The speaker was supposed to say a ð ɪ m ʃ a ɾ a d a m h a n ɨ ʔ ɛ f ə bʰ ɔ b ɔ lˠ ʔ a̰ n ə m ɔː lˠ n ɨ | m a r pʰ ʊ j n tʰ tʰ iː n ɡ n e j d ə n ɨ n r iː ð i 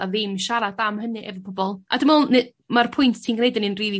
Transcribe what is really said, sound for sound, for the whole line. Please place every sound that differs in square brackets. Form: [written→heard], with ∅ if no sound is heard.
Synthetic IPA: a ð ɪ m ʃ a ɾ a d a m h [a→ə] n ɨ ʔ ɛ [f→v] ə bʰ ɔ b ɔ lˠ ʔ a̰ [n→d] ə m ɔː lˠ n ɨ | m a r pʰ ʊ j n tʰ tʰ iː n ɡ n e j d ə n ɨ n r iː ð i